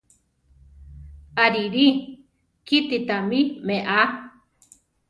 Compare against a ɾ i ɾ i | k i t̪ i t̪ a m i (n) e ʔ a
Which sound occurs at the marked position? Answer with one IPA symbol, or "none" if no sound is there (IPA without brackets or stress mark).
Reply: m